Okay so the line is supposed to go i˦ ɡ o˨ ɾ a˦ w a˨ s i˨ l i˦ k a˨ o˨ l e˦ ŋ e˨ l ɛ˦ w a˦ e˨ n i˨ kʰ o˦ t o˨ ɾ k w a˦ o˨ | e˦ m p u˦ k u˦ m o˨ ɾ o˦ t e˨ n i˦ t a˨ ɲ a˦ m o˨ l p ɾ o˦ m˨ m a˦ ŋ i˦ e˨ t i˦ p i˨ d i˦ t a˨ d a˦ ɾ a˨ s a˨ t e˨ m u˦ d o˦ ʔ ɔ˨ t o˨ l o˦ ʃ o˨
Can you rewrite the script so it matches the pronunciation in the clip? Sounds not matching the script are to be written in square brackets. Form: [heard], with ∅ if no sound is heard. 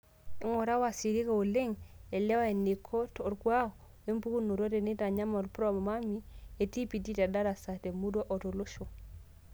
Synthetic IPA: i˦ [ŋ] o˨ ɾ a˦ w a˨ s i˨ [ɾ] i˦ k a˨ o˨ l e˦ ŋ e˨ l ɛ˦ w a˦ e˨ n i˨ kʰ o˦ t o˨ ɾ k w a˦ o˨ | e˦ m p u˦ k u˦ [n] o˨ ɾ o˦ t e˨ n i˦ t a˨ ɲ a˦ m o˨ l p ɾ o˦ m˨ m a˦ [m] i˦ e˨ t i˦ p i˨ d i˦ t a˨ d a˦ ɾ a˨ s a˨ t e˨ m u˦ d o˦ ʔ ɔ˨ t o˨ l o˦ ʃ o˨

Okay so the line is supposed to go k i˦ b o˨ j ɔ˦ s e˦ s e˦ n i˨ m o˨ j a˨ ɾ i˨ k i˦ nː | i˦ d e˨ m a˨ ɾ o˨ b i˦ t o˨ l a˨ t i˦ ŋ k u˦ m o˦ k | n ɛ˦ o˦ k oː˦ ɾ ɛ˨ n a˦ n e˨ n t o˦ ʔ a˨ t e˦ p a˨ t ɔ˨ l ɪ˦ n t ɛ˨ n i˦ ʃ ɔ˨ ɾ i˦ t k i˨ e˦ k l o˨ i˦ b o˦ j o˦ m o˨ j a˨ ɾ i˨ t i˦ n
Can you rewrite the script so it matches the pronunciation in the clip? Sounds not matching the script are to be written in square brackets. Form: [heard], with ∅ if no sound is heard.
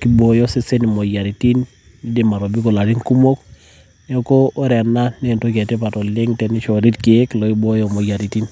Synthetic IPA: k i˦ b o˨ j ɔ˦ s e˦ s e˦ n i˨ m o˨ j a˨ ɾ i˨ [t] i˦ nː | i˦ d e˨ m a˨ ɾ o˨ b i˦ [k] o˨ l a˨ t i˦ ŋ k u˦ m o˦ k | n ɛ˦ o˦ k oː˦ ɾ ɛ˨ n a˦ n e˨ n t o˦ [k] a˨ t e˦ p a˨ t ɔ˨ l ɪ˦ [ŋ] t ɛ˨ n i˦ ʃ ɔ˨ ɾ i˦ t k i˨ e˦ k l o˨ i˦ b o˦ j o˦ m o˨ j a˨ ɾ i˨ t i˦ n

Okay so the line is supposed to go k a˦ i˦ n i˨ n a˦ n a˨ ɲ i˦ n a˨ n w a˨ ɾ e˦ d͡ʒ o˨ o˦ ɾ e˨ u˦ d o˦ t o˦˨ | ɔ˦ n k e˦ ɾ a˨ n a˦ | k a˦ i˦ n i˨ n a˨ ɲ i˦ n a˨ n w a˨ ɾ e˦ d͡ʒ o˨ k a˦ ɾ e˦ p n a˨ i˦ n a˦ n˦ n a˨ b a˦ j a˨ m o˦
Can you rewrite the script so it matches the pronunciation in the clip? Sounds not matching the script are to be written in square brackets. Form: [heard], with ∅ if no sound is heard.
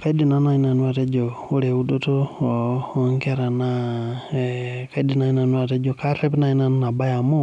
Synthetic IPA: k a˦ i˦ [d] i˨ n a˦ n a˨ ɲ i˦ n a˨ n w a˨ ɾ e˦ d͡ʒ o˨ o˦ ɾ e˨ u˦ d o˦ t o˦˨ | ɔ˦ [ŋ] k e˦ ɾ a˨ n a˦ | k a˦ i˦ [d] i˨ n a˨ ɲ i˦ n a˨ n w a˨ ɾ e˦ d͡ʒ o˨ k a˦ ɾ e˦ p n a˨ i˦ n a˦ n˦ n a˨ b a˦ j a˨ m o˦

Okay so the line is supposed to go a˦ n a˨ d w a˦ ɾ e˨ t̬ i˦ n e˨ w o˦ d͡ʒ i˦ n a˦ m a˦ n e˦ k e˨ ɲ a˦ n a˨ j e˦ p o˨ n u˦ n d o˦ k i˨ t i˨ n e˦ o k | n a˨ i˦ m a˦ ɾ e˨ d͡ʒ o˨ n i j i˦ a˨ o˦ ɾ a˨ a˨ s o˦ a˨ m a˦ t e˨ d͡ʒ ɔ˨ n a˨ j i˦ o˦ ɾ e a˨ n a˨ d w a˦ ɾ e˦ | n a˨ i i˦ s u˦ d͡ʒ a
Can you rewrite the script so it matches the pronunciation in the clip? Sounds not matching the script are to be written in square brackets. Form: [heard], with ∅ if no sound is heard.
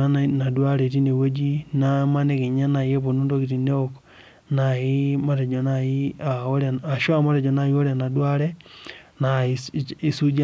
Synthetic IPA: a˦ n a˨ d w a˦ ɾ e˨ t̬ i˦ n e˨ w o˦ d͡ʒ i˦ n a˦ m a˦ n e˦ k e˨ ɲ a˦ n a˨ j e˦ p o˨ n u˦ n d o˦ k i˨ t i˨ n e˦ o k | n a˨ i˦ m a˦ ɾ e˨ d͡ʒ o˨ n [a] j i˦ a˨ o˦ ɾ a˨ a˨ [ʃ] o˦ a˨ m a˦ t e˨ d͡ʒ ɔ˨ n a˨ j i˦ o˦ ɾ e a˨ n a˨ d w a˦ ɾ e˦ | n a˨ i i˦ s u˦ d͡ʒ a

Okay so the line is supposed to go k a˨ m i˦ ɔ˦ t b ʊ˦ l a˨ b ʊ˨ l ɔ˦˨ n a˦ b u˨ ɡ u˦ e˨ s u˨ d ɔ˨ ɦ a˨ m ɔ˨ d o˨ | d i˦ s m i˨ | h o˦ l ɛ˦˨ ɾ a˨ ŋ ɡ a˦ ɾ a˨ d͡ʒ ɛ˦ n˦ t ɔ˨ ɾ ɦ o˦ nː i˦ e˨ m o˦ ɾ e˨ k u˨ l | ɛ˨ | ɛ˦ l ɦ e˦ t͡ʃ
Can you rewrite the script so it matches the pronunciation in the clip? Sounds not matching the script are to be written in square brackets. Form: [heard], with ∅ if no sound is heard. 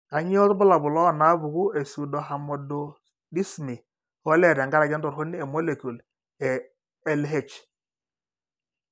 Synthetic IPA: k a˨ [ɲ] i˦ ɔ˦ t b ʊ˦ l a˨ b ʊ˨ l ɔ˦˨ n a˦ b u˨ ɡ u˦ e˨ s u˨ d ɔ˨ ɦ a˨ m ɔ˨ d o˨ | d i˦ s m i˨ | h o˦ l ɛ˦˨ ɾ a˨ ŋ ɡ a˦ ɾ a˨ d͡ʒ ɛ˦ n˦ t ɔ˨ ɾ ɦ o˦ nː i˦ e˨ m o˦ [l] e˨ k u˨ l | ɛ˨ | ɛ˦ l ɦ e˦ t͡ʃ

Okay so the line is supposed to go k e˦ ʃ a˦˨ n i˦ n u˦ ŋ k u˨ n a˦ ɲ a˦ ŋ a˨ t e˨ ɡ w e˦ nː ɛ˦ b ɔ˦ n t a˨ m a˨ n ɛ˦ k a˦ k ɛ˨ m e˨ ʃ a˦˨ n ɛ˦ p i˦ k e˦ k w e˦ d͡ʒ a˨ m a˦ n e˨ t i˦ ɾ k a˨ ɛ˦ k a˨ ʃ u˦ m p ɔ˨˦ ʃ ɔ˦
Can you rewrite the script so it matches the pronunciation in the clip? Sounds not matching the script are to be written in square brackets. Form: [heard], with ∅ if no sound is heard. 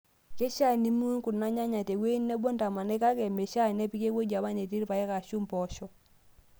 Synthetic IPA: k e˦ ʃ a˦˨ n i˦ [m] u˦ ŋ k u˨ n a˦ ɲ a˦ [ɲ] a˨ t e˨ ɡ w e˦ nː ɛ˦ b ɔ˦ n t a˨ m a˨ n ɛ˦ k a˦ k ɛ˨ m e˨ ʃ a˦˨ n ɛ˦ p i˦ k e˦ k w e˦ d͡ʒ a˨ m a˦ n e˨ t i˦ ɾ [p] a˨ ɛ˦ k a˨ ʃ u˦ m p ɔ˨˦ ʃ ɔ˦

